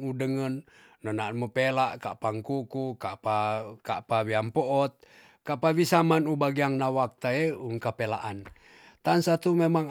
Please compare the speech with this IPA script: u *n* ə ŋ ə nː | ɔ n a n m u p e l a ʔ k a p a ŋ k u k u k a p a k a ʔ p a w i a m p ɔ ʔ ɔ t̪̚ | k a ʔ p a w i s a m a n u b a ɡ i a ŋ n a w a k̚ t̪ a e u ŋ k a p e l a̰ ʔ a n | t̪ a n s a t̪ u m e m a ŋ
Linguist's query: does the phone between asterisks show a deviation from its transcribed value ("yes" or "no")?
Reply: yes